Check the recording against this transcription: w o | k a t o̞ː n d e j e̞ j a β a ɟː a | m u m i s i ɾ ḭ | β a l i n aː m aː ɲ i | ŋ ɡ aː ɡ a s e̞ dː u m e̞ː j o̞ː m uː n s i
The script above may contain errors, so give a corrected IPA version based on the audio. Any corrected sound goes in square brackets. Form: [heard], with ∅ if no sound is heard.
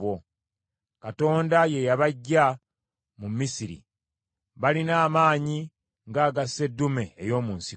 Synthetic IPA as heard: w o | k a t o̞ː n d [a] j e̞ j a β a ɟː a | m u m i s i ɾ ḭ | β a l i n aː m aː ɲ i | ŋ ɡ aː ɡ a s e̞ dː u m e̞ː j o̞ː m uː n s i